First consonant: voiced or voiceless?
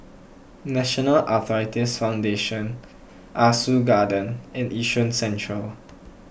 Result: voiced